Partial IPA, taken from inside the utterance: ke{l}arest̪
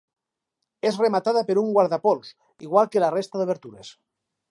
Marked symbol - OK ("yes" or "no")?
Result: yes